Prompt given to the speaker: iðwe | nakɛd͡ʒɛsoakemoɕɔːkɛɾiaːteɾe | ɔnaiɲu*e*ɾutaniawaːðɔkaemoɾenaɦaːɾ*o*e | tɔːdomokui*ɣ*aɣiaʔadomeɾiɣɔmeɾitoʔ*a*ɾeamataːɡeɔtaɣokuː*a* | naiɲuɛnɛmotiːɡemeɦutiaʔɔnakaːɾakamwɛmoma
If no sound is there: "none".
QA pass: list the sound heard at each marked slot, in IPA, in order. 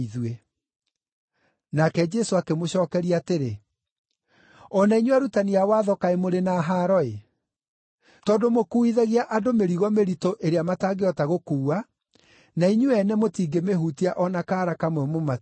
a, ɔ, ð, e, a

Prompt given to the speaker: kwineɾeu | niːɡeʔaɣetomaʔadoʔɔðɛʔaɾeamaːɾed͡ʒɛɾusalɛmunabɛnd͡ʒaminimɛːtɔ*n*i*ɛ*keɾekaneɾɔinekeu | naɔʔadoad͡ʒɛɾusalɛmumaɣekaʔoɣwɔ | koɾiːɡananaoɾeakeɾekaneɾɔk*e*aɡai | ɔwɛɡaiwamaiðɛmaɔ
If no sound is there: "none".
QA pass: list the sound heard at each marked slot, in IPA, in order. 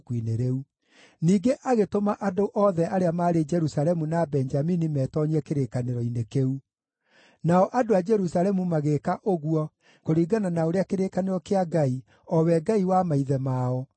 ɲ, ɛ, e

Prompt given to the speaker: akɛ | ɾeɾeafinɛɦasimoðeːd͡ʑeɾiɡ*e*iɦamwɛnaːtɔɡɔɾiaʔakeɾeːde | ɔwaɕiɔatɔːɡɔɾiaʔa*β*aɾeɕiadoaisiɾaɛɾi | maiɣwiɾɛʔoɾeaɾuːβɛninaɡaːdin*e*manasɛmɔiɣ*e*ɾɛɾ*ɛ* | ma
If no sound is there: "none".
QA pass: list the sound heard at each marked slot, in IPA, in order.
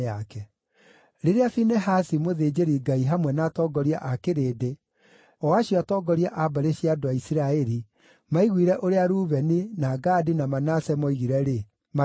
a, b, a, i, e

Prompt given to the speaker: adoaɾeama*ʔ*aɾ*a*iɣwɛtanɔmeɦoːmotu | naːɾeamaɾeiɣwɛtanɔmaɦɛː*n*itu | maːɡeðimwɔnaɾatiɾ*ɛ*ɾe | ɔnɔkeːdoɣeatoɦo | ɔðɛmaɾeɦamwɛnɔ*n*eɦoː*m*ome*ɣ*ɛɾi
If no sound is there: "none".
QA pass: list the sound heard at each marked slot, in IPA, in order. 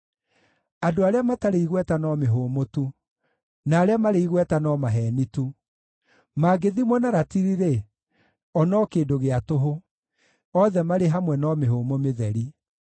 t, e, n, i, m, m, ð

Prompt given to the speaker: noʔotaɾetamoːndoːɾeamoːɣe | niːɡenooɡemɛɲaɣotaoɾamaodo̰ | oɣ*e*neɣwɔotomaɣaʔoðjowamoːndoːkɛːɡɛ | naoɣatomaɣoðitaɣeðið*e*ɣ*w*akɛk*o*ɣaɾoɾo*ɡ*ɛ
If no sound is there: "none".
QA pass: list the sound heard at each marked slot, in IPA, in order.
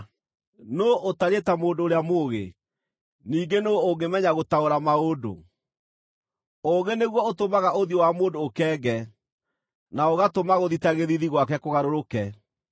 e, i, w, o, k

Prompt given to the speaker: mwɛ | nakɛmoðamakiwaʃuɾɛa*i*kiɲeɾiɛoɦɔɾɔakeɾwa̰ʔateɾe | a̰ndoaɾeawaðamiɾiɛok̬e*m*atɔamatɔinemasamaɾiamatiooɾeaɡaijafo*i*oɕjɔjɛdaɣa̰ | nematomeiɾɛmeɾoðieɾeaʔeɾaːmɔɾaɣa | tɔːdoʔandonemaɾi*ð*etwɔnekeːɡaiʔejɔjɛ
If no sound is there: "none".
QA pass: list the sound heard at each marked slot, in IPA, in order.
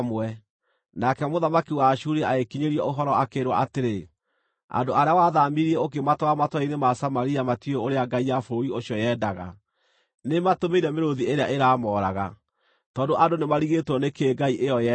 e, m, i, ɣ

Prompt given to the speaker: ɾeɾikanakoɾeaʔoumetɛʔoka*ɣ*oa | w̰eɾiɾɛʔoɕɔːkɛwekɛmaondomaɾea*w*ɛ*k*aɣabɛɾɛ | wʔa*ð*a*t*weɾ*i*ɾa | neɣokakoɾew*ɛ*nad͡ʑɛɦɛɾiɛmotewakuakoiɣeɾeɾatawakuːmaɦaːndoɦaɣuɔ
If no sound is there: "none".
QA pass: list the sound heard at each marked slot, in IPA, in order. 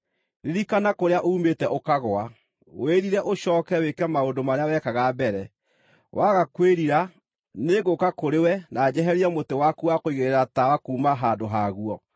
ɣ, w, k, ɣ, k, i, ɛ

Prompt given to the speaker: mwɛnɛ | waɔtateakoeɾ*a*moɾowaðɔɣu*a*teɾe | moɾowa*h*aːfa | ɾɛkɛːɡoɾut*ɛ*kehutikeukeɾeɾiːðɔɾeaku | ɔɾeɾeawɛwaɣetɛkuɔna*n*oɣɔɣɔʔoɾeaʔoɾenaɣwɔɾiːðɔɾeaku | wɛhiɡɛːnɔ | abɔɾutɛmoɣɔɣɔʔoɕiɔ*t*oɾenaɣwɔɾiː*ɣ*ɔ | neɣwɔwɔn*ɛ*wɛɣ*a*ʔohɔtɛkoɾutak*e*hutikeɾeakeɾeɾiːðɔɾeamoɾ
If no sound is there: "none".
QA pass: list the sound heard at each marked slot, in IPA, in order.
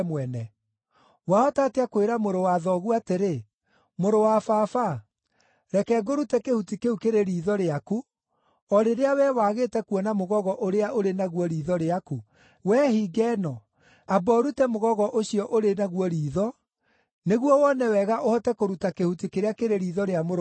a, a, f, ɛ, m, ʔ, ð, ɛ, a, e

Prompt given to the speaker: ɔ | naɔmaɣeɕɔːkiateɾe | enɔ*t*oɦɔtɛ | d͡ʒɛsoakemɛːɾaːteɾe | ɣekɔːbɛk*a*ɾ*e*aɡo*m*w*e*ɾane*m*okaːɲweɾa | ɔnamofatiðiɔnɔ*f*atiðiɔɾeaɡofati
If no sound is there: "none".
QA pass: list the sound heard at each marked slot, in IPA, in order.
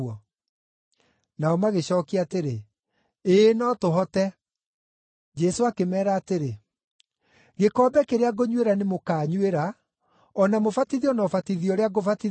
t, e, e, ɲ, e, m, f

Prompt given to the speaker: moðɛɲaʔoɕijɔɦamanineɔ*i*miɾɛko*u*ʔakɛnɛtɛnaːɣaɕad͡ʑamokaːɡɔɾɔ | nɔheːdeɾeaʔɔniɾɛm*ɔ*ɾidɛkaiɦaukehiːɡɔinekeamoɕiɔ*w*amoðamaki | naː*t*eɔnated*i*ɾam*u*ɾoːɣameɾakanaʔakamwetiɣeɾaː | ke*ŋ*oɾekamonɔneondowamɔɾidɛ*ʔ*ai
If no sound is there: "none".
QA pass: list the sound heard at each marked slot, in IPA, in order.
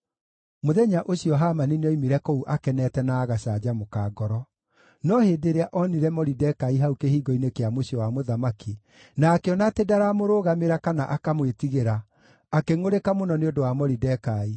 i, u, ɔ, w, k, a, o, ŋ, k

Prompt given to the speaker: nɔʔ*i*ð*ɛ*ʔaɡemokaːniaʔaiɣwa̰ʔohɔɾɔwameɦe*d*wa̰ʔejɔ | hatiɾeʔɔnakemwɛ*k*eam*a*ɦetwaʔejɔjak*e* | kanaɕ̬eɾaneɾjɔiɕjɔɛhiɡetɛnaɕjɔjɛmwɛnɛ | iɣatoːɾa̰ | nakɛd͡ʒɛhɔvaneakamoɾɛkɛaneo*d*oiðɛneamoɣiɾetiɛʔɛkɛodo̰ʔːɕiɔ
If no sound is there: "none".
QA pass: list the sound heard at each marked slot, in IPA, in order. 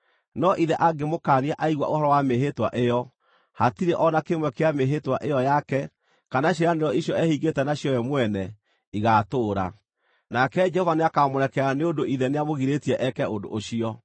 i, ɛ, t, k, e, ɛ, d

